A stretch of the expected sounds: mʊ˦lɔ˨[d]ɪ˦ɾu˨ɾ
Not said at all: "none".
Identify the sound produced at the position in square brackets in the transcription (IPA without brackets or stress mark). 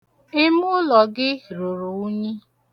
ɡ